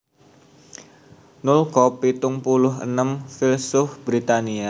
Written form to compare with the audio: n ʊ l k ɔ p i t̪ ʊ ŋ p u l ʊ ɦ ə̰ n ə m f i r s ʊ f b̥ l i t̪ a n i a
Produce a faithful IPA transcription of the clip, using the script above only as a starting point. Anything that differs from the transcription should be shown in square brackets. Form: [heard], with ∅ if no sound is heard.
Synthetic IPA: n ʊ l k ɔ p i t̪ ʊ ŋ p u l ʊ ɦ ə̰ n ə m f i [l] s ʊ f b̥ [ɾ] i t̪ a n i a